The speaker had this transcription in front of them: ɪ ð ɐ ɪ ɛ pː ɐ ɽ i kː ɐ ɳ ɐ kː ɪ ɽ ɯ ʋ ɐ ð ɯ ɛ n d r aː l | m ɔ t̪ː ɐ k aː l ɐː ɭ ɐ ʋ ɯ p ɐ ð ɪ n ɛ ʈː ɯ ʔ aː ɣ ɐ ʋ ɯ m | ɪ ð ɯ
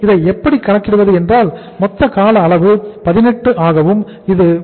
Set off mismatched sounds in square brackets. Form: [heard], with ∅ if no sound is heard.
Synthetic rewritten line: ɪ ð ɐ ɪ ɛ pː ɐ ɽ i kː ɐ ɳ ɐ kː ɪ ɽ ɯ ʋ ɐ ð ɯ ɛ n d r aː l | m ɔ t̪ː ɐ k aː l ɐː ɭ ɐ ʋ ɯ p ɐ ð ɪ n ɛ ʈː ɯ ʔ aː ɣ ɐ ʋ ɯ m | ɪ ð ɯ